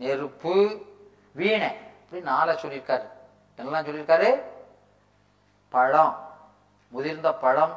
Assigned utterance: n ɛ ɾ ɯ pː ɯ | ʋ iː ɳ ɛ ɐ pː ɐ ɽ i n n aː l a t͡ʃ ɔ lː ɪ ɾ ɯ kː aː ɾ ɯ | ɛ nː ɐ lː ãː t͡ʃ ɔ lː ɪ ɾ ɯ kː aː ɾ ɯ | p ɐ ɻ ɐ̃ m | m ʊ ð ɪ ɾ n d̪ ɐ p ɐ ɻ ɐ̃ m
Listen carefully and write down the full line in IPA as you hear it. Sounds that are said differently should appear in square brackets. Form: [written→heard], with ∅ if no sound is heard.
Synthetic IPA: n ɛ ɾ ɯ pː ɯ | ʋ iː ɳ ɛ ɐ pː ɐ ɽ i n n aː l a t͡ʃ ɔ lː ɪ ɾ ɯ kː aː ɾ ɯ | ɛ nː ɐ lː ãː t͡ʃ ɔ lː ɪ ɾ ɯ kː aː ɾ ɯ | p ɐ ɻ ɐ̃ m | m ʊ ð ɪ ɾ n d̪ ɐ p ɐ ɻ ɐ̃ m